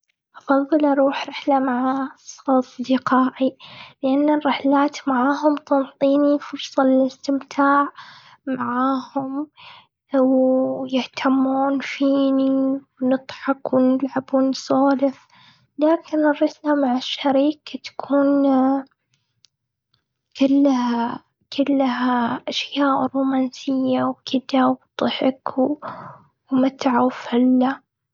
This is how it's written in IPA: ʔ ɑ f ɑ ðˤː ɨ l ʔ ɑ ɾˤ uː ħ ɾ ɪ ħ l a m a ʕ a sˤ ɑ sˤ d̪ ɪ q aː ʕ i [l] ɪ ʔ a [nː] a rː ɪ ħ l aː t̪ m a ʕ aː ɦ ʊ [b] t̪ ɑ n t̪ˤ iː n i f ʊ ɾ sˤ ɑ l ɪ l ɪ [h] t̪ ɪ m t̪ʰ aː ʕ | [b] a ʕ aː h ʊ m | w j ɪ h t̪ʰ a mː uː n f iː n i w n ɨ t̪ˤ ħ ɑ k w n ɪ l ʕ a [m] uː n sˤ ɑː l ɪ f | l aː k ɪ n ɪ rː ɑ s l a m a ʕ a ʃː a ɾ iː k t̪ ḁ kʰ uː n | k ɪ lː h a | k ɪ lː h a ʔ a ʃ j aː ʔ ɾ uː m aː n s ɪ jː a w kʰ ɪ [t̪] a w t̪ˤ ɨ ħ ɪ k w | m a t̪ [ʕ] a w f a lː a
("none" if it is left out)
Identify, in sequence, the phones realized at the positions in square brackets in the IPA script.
l, nː, m, s, m, b, d̪, ʕ

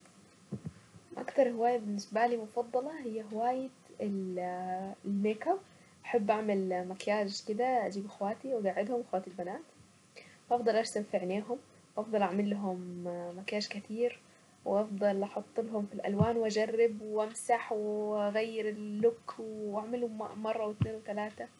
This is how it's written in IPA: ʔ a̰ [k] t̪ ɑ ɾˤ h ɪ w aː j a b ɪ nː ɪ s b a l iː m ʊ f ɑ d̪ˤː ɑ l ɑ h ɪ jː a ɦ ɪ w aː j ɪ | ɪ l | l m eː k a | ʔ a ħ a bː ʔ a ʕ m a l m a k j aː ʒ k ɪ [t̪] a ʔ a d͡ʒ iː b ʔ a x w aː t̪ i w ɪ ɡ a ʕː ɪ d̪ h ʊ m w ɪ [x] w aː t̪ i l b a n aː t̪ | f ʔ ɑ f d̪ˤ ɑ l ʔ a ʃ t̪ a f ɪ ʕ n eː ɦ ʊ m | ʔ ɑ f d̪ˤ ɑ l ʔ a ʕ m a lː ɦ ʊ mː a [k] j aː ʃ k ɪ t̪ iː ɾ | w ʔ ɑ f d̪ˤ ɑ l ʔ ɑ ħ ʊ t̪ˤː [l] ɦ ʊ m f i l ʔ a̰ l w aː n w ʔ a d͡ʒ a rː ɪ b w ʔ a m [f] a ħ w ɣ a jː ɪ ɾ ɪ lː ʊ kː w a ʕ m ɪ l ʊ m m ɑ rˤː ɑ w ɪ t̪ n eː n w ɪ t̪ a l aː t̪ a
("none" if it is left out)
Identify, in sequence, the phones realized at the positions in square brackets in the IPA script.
k, d̪, x, k, l, s

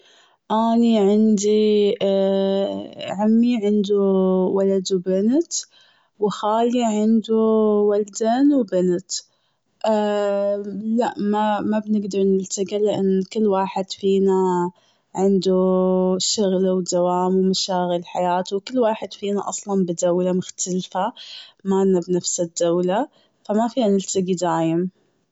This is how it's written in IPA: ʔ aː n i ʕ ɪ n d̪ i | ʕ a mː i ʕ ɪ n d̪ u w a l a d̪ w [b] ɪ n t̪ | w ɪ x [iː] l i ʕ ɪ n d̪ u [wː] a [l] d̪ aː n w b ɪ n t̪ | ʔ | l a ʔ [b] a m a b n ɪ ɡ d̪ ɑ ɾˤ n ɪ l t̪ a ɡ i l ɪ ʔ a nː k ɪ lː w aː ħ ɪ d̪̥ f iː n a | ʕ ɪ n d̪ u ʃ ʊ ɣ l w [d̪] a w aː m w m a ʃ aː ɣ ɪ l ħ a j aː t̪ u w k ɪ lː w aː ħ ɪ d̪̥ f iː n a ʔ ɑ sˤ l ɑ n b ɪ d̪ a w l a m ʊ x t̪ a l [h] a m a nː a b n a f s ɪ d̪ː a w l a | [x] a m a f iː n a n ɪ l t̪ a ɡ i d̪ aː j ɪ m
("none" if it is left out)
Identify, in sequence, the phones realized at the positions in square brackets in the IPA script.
b, aː, w, l, m, d̪, f, f

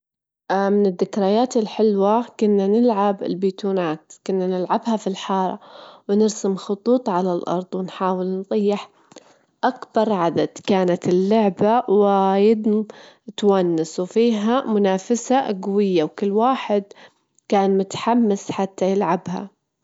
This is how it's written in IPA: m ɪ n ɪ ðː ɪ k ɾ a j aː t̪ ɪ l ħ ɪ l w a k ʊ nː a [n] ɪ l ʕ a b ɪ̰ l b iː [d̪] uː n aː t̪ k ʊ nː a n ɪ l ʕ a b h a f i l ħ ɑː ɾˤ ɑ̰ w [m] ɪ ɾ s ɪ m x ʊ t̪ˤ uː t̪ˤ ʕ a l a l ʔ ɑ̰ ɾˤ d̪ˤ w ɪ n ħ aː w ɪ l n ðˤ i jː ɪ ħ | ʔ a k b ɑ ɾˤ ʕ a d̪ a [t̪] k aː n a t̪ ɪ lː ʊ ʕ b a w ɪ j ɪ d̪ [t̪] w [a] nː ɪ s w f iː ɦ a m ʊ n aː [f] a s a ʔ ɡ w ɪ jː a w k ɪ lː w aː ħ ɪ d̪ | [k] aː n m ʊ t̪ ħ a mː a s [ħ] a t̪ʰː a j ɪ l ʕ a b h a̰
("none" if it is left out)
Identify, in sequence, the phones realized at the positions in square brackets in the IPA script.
n, t̪, n, d̪, t̪, a, f, k, ħ

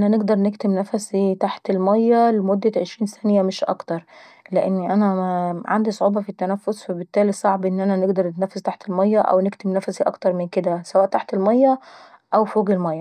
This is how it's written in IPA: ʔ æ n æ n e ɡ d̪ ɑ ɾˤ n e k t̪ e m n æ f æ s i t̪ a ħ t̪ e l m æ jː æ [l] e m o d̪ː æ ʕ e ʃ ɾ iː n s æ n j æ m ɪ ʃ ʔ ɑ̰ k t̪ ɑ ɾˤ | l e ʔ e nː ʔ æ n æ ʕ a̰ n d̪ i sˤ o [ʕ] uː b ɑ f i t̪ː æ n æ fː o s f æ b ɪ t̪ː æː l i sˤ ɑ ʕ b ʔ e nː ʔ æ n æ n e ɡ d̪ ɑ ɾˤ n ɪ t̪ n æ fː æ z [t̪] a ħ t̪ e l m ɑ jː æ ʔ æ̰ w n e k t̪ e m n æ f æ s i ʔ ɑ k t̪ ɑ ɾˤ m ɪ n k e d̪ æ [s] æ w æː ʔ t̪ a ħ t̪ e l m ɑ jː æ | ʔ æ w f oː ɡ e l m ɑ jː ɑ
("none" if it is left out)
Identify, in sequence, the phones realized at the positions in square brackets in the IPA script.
l, ʕ, t̪, s

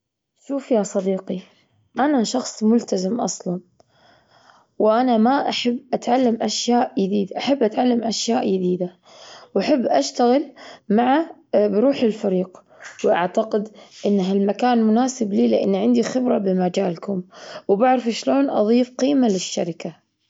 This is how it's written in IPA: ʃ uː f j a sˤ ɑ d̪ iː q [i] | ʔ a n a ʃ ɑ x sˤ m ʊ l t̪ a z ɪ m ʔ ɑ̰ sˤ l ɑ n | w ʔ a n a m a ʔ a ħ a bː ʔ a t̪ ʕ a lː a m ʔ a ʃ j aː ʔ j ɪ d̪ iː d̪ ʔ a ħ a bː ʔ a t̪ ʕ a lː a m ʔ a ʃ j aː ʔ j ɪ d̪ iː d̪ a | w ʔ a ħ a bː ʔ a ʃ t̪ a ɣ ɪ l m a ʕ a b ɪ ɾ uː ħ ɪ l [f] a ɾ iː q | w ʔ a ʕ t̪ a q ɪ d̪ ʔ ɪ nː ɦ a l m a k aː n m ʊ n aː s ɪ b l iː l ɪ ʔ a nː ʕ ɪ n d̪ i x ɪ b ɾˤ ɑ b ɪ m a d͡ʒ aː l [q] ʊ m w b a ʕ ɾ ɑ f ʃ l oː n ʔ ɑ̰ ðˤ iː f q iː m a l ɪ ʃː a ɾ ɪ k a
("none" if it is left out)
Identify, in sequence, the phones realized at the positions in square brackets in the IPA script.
i, f, k

